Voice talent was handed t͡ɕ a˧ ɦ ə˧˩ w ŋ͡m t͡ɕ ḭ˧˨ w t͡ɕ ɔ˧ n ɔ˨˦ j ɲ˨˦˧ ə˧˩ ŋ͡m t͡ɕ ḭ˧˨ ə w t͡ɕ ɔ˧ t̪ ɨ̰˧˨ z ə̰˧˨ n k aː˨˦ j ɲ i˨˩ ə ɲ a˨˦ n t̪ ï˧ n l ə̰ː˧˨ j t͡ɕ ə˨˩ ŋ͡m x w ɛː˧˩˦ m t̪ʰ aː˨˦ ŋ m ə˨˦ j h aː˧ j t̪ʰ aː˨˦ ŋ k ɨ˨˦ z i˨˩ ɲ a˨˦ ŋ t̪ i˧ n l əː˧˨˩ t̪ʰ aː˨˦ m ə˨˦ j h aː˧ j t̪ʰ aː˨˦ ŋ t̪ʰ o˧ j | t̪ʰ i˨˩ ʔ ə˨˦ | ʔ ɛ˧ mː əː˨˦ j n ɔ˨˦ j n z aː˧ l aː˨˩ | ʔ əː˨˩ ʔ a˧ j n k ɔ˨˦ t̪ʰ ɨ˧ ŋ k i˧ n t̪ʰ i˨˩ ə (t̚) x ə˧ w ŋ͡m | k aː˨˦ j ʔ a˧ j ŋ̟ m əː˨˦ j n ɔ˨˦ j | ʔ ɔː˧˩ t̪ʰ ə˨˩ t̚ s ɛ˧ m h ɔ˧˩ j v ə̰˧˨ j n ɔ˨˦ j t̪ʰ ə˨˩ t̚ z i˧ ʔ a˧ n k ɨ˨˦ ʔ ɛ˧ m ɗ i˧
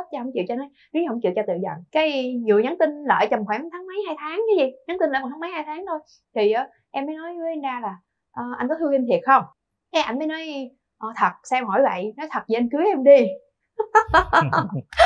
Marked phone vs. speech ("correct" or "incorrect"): correct